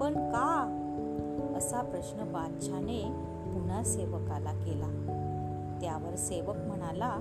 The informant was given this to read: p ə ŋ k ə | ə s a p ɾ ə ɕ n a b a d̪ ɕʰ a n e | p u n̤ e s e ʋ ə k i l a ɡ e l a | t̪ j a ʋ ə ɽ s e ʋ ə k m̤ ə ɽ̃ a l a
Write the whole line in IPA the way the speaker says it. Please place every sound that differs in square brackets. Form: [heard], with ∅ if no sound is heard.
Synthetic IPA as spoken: p ə [ɳ] k [a] | ə s a p ɾ ə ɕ n [ə] b a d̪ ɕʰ a n e | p u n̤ [a] s e ʋ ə k [a] l a [k] e l a | t̪ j a ʋ ə [ɾ] s e ʋ ə k m̤ ə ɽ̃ a l a